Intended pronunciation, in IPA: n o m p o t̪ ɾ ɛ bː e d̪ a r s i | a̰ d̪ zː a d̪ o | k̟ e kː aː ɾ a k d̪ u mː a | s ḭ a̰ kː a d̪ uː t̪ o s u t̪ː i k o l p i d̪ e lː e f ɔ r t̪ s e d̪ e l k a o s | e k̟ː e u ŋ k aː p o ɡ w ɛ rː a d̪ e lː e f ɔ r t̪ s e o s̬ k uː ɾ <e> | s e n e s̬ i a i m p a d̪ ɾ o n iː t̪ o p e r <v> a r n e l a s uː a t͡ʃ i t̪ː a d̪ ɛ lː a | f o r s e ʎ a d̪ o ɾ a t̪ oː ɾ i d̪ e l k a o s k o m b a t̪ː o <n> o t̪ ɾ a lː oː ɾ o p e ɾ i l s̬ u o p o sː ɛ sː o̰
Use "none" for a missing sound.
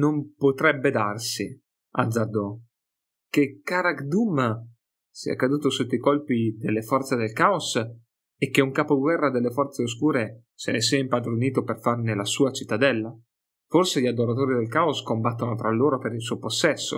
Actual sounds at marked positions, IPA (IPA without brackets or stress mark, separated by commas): e, f, n